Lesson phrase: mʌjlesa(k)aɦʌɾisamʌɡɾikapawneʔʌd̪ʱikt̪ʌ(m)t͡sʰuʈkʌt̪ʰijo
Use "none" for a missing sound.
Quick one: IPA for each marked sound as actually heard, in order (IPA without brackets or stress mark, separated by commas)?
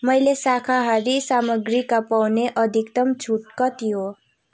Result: kʰ, m